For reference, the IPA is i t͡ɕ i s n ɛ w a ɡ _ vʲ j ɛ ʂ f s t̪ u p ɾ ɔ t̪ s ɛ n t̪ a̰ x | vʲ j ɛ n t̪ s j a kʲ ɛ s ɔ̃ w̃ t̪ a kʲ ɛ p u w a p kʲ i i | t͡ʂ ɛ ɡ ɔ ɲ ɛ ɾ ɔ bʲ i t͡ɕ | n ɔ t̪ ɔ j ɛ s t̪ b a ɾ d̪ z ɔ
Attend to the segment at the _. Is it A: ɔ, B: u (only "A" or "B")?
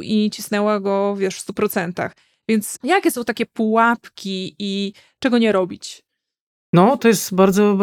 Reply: A